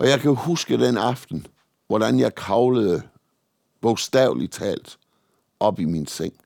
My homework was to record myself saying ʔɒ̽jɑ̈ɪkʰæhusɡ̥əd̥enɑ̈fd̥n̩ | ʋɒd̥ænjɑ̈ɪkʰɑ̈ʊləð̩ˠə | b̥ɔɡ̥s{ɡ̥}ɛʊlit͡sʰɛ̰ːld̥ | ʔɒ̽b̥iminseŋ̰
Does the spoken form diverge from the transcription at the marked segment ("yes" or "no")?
yes